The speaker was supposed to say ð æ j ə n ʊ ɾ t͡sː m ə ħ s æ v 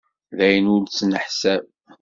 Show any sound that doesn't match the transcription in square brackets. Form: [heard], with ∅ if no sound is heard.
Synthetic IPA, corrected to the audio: ð æ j ə n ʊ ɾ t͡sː [n] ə ħ s æ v